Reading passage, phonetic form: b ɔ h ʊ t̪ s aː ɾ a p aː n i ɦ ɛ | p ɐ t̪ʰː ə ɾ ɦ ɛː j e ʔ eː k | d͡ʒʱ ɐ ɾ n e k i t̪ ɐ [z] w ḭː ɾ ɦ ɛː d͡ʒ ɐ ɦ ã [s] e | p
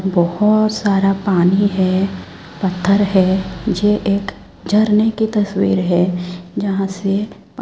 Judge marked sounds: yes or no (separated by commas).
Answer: no, yes